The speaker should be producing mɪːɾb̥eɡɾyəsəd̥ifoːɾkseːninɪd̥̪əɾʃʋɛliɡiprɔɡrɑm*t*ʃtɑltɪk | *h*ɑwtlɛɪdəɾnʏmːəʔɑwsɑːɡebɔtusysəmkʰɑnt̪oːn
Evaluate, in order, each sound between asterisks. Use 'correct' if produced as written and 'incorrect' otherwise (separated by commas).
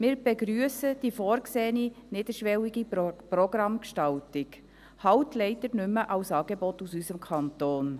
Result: incorrect, correct